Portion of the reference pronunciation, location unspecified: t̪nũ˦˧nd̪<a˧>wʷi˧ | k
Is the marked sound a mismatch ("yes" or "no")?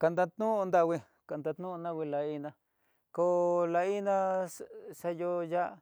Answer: no